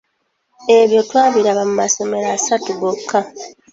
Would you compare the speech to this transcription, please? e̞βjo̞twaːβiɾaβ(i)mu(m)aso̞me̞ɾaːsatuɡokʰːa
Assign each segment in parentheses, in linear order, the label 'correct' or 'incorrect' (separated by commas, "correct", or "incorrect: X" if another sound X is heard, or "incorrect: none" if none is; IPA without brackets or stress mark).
incorrect: a, correct